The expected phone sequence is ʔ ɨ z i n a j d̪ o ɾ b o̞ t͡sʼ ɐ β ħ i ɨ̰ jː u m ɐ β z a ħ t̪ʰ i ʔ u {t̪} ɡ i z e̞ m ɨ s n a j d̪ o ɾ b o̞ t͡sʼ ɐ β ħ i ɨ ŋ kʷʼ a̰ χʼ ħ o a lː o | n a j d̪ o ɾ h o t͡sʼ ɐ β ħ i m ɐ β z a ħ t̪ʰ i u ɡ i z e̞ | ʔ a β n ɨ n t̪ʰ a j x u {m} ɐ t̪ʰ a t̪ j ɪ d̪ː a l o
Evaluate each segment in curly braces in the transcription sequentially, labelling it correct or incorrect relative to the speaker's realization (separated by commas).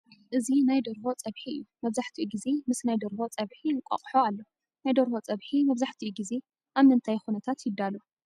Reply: incorrect, incorrect